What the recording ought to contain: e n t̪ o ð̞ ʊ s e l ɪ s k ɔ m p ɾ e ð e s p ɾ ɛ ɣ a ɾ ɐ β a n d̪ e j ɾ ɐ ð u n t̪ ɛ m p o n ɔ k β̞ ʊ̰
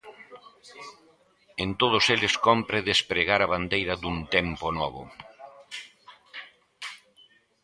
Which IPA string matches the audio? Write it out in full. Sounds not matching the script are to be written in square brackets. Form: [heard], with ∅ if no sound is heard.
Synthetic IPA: e n t̪ o ð̞ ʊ s e l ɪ s k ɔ m p ɾ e ð e s p ɾ [e] ɣ a ɾ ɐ β a n d̪ e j ɾ ɐ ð u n t̪ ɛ m p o n ɔ [∅] β̞ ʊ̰